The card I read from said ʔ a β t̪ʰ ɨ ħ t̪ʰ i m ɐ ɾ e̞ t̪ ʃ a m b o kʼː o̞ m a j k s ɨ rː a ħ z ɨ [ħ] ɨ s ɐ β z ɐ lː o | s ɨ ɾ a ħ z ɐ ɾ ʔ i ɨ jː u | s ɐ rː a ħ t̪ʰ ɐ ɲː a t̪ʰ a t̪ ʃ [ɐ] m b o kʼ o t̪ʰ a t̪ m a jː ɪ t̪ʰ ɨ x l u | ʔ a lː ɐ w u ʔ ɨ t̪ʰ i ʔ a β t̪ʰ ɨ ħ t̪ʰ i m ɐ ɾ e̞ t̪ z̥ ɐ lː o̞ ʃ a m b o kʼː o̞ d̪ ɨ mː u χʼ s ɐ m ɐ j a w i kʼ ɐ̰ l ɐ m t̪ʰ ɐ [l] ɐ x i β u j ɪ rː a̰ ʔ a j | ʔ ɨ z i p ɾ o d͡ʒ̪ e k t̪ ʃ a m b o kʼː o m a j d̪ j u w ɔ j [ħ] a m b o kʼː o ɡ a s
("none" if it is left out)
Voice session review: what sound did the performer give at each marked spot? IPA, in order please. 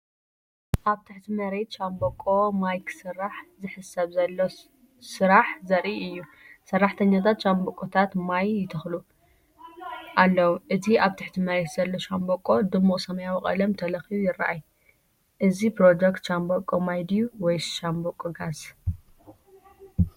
ħ, a, l, ʃ

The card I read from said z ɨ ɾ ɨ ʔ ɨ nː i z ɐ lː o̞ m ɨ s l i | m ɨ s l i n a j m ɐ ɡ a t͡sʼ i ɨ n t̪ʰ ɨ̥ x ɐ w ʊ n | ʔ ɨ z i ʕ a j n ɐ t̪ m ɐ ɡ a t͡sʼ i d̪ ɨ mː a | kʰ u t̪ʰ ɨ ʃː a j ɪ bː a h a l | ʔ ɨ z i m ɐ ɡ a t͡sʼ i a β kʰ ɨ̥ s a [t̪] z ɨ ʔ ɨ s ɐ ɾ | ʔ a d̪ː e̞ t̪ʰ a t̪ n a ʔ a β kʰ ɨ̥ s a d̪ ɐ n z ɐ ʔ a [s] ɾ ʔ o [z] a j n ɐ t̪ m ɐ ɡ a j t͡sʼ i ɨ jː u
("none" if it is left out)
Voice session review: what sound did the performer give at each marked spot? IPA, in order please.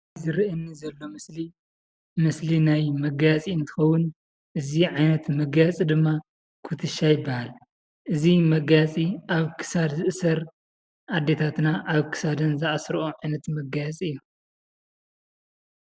d̪, s, ʕ

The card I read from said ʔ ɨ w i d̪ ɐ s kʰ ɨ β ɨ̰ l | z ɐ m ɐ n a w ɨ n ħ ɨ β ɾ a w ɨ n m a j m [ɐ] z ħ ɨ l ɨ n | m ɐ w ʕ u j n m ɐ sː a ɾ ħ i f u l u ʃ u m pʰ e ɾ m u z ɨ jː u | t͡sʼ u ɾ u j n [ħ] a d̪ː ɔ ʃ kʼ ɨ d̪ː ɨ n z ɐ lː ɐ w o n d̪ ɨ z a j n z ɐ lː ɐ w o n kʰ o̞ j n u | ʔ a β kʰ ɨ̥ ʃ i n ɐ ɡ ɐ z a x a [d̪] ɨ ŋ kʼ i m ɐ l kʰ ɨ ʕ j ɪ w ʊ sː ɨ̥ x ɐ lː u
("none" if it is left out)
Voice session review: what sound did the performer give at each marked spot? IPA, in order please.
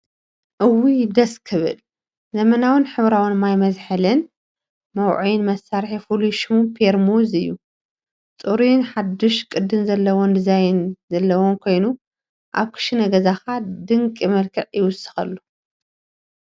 ɐ, ħ, d̪

